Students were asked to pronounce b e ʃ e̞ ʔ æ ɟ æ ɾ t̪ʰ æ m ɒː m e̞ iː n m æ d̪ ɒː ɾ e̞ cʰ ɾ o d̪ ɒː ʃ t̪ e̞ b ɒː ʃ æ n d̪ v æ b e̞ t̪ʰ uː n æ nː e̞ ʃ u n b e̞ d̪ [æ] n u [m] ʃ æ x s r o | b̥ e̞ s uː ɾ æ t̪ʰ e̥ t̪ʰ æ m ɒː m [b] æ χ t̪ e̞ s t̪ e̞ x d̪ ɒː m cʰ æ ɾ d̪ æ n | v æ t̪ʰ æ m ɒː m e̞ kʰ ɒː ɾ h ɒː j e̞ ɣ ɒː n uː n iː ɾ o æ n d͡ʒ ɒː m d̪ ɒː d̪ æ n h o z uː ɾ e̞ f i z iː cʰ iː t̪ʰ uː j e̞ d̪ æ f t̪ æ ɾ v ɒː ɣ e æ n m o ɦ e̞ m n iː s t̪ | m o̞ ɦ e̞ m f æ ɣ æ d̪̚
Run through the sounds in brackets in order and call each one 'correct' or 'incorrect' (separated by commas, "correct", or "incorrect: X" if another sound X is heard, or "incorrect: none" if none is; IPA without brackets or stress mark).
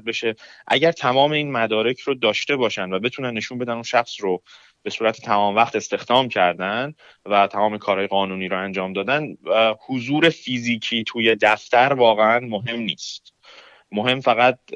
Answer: correct, incorrect: n, incorrect: v